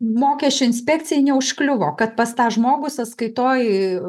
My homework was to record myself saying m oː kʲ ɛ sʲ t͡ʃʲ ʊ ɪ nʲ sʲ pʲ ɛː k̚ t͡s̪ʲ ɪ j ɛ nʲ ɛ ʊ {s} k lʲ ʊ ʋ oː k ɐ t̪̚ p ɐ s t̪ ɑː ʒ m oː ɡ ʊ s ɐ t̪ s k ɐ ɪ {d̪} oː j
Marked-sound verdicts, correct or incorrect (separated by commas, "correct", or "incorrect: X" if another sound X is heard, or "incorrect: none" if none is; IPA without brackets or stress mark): incorrect: ʃ, incorrect: t̪